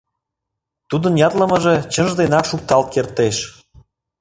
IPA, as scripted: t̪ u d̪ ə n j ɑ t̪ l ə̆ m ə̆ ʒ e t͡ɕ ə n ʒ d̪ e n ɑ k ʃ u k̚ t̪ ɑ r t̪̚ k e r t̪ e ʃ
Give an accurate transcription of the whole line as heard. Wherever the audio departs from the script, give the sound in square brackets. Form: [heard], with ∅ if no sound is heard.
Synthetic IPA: t̪ u d̪ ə n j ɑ t̪ l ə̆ m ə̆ ʒ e t͡ɕ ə n ʒ d̪ e n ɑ k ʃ u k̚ t̪ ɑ [l] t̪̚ k e r t̪ e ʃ